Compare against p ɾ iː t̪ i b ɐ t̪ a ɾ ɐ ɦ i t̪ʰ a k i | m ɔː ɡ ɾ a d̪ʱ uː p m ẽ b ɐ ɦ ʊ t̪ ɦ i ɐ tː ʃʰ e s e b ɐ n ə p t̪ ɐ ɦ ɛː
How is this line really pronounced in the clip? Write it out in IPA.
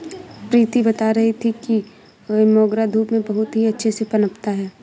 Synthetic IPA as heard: p ɾ iː t̪ i b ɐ t̪ a ɾ ɐ ɦ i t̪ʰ i k i | m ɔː ɡ ɾ a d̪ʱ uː p m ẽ b ɐ ɦ ʊ t̪ ɦ i ɐ tː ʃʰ e s e p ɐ n ə p t̪ a ɦ ɛː